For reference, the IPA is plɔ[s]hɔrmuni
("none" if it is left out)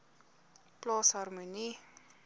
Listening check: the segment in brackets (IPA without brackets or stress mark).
s